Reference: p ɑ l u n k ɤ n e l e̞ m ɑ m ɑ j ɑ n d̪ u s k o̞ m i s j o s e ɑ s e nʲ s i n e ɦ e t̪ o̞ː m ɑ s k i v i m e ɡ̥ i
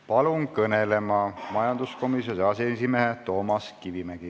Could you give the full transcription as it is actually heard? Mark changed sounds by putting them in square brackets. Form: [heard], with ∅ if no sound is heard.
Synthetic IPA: p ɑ l u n k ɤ n e l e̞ m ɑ m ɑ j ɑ n d̪ u s k o̞ m i s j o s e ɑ s e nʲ s i [m] e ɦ e t̪ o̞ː m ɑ s k i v i m [æ] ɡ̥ i

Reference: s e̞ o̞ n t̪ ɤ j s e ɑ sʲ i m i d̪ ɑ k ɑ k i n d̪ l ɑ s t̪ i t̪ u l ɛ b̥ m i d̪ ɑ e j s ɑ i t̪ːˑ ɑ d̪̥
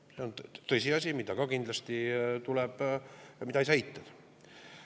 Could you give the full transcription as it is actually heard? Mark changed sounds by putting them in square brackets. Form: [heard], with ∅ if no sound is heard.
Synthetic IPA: s e̞ o̞ n t̪ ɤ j s [i] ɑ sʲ i m i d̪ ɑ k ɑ k i n d̪ l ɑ s t̪ i t̪ u l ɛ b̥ m i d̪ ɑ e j s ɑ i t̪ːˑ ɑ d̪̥

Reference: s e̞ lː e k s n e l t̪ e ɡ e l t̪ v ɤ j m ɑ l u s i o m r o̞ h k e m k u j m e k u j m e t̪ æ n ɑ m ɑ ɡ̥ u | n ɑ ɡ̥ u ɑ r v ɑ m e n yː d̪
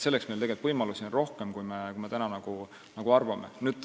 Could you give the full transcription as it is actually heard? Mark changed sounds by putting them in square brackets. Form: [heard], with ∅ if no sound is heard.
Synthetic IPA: s e̞ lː e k s [m] e l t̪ e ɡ e l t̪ v ɤ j m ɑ l u s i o [n] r o̞ h k e m k u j m e k u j m e t̪ æ n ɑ [n] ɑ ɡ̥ u | n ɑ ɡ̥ u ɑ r v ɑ m e n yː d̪

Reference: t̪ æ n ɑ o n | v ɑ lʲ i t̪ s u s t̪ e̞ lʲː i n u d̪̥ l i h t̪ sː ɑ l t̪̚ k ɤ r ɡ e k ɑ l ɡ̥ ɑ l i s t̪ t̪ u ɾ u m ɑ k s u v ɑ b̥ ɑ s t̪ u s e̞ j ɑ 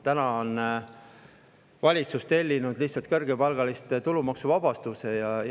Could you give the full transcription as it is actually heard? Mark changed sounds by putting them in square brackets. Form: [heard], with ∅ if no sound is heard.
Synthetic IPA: t̪ æ n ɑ o n | v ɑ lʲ i t̪ s u s t̪ e̞ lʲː i n u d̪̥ l i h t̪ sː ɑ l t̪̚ k ɤ r ɡ e [p] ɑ l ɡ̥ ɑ l i s t̪ t̪ u [l] u m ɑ k s u v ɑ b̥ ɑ s t̪ u s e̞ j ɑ

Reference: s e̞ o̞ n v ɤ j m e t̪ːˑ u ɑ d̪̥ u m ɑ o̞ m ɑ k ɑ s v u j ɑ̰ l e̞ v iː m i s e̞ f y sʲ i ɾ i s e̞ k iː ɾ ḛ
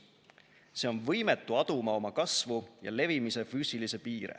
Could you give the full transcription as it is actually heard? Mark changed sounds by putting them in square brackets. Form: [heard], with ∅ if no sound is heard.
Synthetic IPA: s e̞ o̞ n v ɤ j m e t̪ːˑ u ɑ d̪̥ u m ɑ o̞ m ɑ k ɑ s v u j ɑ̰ l e̞ v [i] m i s e̞ f [yː] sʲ i [l] i s e̞ [p] iː ɾ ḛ

